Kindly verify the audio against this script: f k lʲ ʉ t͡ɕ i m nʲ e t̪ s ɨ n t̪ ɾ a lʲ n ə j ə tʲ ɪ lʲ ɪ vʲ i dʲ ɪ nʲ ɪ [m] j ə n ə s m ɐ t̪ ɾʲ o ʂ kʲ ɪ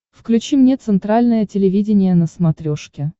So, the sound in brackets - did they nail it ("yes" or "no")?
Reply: no